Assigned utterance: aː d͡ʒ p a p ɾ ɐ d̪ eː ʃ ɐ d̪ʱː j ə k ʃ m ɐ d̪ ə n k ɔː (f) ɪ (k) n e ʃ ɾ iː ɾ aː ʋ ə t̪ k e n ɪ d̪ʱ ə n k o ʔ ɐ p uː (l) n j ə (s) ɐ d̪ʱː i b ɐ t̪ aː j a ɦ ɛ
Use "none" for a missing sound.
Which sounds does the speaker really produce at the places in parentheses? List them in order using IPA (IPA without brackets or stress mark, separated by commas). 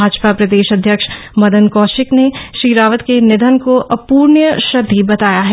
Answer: ʃ, k, ɾ, ʃ